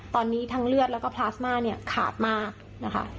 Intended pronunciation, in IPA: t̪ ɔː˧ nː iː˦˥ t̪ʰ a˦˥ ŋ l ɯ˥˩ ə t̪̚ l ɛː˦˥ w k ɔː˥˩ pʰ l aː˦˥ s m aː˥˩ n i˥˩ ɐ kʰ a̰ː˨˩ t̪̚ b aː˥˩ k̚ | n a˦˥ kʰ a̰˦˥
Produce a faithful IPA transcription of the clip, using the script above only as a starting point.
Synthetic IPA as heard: t̪ ɔː˧ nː iː˦˥ t̪ʰ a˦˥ ŋ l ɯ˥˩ ə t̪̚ l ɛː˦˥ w k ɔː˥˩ pʰ l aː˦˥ s m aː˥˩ n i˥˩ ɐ kʰ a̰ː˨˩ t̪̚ m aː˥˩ k̚ | n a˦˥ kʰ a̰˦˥